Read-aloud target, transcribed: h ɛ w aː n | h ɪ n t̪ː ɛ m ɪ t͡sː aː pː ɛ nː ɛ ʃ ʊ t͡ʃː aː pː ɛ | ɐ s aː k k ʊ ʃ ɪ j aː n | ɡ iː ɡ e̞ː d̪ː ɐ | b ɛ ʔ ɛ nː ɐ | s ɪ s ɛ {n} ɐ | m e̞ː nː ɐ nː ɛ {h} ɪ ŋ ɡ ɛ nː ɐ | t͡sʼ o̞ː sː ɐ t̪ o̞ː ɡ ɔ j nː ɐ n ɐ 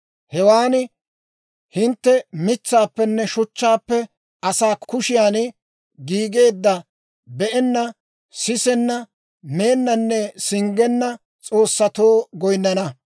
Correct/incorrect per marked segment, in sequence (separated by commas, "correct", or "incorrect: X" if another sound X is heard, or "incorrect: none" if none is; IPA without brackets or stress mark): incorrect: nː, incorrect: s